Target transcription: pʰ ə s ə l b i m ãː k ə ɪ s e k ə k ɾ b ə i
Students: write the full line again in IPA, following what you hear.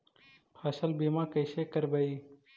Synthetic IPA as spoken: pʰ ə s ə l b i m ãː k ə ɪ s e k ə ɾ b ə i